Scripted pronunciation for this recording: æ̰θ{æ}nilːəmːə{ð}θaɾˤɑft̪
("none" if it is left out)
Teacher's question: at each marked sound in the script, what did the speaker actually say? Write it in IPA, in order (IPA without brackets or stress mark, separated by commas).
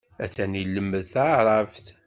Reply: æ, ð